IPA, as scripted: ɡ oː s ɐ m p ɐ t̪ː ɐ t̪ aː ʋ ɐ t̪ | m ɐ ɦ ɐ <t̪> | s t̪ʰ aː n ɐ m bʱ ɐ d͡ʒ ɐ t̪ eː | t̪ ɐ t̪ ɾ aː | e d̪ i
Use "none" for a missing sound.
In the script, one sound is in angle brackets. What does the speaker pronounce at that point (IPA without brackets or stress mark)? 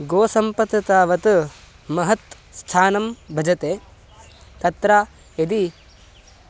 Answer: t̪